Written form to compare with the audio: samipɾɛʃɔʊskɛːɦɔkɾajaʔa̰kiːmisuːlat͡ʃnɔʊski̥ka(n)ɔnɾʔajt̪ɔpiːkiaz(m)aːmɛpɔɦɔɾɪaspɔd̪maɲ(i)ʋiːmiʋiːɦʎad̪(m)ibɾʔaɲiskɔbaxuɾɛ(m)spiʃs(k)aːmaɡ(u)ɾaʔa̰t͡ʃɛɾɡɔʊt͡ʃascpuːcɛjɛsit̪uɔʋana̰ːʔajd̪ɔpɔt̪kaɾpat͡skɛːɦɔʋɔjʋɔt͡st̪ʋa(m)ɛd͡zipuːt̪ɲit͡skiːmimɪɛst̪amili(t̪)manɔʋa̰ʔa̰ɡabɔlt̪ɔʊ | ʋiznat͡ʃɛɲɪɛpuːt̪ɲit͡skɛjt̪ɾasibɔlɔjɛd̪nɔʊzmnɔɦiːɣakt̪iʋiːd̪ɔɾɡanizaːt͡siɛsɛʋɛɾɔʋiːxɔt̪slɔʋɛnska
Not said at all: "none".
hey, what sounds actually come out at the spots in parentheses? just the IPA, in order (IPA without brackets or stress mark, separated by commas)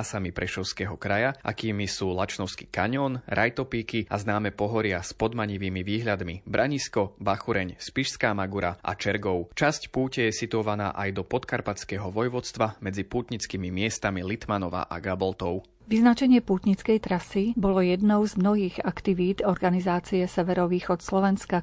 ɲ, n, i, m, ɲ, k, u, m, t̪